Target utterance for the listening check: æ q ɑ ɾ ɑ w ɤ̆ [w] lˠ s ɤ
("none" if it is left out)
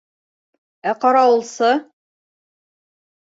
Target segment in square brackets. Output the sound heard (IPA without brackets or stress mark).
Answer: none